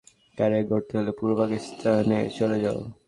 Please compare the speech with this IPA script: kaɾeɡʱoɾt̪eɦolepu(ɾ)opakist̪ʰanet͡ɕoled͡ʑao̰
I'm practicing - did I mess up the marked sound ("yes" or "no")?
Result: no